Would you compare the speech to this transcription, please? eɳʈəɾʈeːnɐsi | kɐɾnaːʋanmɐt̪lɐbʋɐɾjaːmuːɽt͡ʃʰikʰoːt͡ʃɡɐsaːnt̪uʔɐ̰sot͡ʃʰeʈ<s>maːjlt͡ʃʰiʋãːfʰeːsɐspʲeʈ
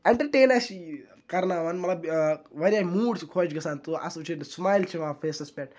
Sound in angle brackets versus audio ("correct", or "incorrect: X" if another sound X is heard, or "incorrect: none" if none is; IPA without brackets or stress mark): correct